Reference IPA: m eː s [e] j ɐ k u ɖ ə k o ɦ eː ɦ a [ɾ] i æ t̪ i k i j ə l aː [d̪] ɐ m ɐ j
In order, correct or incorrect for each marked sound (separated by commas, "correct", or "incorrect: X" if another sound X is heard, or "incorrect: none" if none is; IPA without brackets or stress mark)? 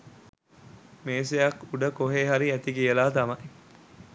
correct, correct, incorrect: t̪